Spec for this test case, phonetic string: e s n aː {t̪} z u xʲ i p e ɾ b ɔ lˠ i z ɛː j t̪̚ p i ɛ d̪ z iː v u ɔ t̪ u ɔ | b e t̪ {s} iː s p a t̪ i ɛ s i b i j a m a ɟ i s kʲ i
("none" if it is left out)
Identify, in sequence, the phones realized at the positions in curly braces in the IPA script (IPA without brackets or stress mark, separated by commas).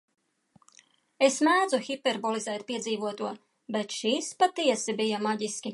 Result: d̪, ʃ